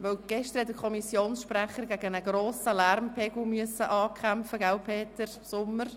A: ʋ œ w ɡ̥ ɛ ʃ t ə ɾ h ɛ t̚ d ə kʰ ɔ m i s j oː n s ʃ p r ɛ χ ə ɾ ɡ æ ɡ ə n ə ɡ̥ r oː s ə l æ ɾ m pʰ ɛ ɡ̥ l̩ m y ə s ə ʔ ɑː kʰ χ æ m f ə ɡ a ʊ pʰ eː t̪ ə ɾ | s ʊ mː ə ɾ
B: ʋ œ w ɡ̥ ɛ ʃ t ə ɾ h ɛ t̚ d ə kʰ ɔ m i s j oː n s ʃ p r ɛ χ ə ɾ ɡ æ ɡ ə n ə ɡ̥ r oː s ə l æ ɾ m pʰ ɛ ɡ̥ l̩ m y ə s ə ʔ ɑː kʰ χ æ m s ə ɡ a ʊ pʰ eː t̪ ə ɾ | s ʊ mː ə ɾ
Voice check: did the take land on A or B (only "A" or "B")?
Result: A